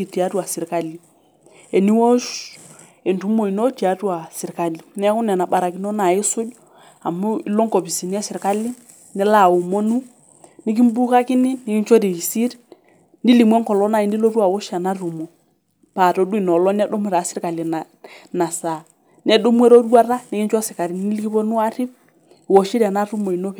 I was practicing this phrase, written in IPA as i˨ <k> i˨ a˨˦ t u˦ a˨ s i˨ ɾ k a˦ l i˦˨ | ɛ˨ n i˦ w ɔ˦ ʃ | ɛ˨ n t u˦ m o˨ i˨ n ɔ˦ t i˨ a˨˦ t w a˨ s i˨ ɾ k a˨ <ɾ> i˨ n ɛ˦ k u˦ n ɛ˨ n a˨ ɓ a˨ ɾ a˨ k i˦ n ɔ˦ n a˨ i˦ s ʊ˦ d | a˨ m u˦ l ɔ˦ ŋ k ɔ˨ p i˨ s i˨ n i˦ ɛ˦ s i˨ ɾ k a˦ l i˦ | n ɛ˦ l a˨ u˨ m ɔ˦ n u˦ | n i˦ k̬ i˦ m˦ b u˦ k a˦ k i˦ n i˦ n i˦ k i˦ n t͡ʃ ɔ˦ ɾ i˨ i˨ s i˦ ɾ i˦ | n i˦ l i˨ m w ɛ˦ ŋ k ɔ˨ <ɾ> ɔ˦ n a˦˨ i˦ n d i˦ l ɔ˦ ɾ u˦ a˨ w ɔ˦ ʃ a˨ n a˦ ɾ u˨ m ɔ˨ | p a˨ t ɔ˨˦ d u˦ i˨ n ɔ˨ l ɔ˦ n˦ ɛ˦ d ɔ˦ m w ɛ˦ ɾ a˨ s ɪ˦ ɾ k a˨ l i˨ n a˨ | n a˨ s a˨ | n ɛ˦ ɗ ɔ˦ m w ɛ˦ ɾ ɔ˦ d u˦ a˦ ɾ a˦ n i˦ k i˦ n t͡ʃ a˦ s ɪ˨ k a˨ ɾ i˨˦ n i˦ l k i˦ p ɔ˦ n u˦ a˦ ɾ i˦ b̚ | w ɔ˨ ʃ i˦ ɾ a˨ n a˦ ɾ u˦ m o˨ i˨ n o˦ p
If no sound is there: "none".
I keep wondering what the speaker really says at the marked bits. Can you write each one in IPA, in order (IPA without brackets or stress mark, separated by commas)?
t, l, l